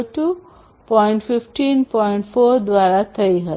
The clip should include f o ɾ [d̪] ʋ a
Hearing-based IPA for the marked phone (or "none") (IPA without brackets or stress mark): d̪